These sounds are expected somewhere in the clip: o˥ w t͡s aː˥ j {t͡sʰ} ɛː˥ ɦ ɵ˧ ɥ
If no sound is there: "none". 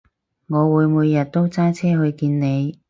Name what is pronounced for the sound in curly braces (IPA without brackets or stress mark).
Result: t͡sʰ